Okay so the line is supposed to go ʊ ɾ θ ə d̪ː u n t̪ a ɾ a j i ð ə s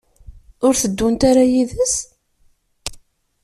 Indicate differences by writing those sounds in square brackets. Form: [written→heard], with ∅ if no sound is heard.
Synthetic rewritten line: ʊ ɾ θ ə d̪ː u n t̪ a ɾ a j i ð ə s